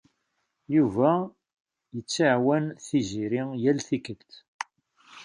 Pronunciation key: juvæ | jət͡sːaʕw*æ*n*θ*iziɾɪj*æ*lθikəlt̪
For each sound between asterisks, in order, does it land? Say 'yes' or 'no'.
yes, yes, yes

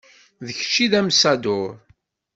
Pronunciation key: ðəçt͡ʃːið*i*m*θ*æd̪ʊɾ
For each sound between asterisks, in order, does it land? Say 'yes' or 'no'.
no, no

